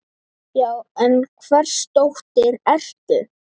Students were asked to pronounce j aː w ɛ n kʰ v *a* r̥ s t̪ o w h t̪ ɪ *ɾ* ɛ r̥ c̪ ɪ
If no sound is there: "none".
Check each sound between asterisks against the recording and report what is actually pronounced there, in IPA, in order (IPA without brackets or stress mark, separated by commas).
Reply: ɛ, ɾ